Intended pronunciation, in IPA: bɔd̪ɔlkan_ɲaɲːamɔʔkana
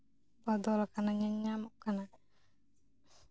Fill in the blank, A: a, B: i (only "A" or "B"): A